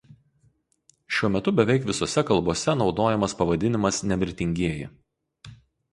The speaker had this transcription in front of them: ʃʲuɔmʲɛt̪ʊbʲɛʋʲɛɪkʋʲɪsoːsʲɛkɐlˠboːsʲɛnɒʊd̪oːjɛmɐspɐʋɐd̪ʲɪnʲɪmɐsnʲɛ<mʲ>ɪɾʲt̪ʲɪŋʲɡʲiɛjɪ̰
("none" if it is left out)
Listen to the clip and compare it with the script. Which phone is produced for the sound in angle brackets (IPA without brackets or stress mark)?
mʲ